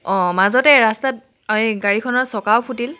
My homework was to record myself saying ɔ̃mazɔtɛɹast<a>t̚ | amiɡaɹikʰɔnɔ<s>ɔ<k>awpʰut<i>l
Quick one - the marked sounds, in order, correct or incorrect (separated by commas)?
correct, correct, correct, correct